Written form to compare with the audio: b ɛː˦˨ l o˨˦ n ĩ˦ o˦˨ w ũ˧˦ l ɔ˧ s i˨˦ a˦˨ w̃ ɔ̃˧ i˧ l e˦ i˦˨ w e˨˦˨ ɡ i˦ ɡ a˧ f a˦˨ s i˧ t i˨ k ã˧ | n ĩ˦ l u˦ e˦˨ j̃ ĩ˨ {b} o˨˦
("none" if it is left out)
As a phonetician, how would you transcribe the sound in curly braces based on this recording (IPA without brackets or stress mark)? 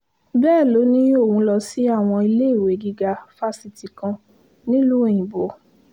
b